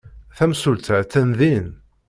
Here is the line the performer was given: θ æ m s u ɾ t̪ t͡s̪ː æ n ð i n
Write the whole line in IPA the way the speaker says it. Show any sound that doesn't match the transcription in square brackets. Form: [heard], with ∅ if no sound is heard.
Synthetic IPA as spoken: θ æ m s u [l] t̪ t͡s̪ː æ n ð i n